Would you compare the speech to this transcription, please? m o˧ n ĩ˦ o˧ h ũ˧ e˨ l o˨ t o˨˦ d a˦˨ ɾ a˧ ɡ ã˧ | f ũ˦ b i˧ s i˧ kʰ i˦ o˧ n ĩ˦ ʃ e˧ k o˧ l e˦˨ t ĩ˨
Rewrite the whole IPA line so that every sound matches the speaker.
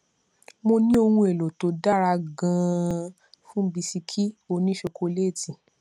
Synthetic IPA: m o˧ n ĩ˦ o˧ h ũ˧ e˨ l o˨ t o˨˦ d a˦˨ ɾ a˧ ɡ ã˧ | f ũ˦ b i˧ s i˧ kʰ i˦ o˧ n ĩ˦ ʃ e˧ k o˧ l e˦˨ t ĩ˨